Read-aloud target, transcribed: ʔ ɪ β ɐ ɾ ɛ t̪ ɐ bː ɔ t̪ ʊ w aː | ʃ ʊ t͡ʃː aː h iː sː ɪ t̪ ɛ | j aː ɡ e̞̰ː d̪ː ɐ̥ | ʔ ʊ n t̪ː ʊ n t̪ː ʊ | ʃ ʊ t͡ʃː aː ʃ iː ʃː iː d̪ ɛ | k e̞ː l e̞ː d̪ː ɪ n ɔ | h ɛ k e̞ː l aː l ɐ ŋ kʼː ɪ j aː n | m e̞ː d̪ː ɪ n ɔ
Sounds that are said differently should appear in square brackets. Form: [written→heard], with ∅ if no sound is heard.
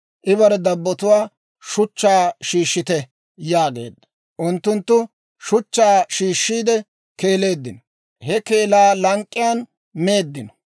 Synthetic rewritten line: ʔ ɪ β ɐ ɾ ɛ [t̪→d̪] ɐ bː ɔ t̪ ʊ w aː | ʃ ʊ t͡ʃː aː [h→ʃ] iː [sː→ʃː] ɪ t̪ ɛ | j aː ɡ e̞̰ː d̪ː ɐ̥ | ʔ ʊ n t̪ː ʊ n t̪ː ʊ | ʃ ʊ t͡ʃː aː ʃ iː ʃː iː d̪ ɛ | k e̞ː l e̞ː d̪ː ɪ n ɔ | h ɛ k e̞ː l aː l ɐ ŋ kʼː ɪ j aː n | m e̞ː d̪ː ɪ n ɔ

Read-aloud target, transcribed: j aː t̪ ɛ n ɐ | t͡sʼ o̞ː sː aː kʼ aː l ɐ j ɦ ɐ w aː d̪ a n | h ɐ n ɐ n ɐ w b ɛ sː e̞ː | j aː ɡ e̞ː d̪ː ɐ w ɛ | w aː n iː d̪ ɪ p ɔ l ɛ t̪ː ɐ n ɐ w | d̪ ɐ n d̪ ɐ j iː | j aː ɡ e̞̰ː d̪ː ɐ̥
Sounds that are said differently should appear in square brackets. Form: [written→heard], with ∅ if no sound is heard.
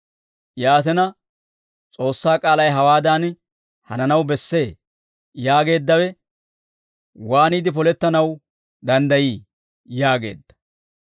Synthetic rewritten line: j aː t̪ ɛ n ɐ | t͡sʼ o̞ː sː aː kʼ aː l ɐ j ɦ ɐ w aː d̪ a n | h ɐ n ɐ n ɐ w b ɛ sː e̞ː | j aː ɡ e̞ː d̪ː ɐ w ɛ | w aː n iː d̪ ɪ p ɔ l ɛ t̪ː ɐ n ɐ w | d̪ ɐ n d̪ ɐ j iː | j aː ɡ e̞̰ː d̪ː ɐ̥

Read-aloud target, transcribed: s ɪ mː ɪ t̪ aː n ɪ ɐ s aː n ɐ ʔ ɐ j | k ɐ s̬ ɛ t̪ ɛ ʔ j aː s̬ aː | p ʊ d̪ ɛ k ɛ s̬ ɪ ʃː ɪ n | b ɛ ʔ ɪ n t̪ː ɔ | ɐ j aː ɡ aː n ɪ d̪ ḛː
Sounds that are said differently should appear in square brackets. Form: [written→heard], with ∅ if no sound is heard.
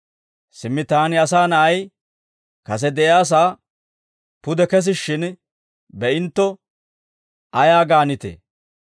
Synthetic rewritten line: s ɪ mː ɪ t̪ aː n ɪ ɐ s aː n ɐ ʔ ɐ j | k ɐ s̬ ɛ [t̪→d̪] ɛ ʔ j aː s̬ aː | p ʊ d̪ ɛ k ɛ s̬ ɪ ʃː ɪ n | b ɛ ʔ ɪ n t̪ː ɔ | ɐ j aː ɡ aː n ɪ [d̪→t̪] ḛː

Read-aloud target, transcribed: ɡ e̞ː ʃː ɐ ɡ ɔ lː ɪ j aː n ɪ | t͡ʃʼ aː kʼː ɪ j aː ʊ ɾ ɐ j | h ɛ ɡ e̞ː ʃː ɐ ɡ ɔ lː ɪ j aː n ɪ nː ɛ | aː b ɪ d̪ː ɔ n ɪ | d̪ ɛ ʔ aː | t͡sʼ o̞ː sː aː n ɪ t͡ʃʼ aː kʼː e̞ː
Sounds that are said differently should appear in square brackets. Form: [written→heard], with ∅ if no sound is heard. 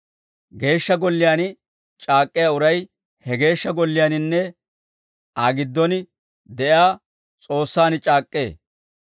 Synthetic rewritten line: ɡ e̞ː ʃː ɐ ɡ ɔ lː ɪ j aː n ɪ | t͡ʃʼ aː kʼː ɪ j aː ʊ ɾ ɐ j | h ɛ ɡ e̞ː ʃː ɐ ɡ ɔ lː ɪ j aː n ɪ nː ɛ | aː [b→ɡ] ɪ d̪ː ɔ n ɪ | d̪ ɛ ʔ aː | t͡sʼ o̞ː sː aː n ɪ t͡ʃʼ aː kʼː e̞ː

